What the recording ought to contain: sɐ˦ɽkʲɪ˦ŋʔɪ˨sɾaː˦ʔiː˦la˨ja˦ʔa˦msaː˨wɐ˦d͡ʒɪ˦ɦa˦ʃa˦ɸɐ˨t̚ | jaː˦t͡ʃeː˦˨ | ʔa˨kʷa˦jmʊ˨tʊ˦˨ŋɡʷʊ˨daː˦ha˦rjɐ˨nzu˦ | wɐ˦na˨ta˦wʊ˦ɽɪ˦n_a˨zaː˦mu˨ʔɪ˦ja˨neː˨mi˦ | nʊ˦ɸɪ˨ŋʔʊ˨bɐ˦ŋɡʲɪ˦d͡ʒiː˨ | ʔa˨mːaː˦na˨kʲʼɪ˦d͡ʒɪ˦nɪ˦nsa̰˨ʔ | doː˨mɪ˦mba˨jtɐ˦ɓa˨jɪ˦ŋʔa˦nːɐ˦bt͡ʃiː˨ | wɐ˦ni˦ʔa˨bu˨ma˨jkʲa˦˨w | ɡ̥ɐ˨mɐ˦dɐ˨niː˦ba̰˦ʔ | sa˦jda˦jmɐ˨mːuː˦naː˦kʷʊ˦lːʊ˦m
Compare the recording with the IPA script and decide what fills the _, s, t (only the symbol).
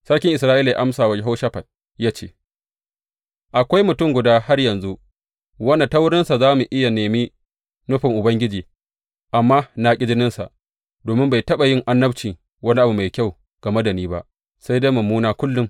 s